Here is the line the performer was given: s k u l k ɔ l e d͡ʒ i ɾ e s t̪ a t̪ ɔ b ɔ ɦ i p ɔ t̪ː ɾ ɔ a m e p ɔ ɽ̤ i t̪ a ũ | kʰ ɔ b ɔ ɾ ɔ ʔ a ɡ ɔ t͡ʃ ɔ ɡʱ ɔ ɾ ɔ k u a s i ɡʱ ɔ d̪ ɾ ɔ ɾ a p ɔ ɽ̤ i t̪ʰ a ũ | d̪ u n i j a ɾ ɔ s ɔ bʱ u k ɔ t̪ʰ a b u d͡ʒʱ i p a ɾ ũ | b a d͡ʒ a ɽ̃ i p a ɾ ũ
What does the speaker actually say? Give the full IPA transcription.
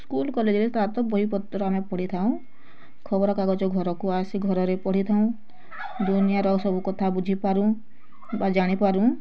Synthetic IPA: s k u l k ɔ l e d͡ʒ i ɾ e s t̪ a t̪ ɔ b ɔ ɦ i p ɔ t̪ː ɾ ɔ a m e p ɔ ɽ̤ i t̪ʰ a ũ | kʰ ɔ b ɔ ɾ ɔ k a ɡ ɔ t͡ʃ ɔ ɡʱ ɔ ɾ ɔ k u a s i ɡʱ ɔ ɾ ɔ ɾ e p ɔ ɽ̤ i t̪ʰ a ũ | d̪ u n i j a ɾ ɔ s ɔ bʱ u k ɔ t̪ʰ a b u d͡ʒʱ i p a ɾ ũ | b a d͡ʒ a ɽ̃ i p a ɾ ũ